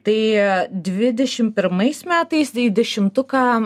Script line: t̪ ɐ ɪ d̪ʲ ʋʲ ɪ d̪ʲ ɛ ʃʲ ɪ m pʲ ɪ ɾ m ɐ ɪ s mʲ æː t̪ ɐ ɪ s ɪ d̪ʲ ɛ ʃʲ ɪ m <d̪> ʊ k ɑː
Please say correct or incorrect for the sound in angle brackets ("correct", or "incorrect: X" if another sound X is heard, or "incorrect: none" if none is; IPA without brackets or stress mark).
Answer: incorrect: t̪